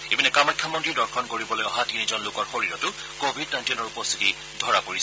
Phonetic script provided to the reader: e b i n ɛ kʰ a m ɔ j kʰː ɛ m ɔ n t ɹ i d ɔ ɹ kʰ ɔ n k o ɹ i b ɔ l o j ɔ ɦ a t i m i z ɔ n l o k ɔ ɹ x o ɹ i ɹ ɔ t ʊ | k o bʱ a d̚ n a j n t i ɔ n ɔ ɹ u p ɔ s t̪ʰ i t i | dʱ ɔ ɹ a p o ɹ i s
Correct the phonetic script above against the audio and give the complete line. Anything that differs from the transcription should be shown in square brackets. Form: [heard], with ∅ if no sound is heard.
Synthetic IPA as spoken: e b i n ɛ [k] a m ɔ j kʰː [a] m ɔ n t ɹ i d ɔ ɹ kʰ ɔ n k o ɹ i b ɔ l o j ɔ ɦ a t i [n] i z ɔ n l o k ɔ ɹ x o ɹ i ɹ ɔ t ʊ | k o bʱ [i] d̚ n a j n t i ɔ n ɔ ɹ u p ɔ s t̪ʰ i t i | dʱ ɔ ɹ a p o ɹ i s